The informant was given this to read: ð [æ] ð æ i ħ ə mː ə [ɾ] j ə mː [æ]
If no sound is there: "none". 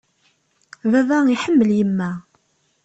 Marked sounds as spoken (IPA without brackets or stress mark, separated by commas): æ, l, æ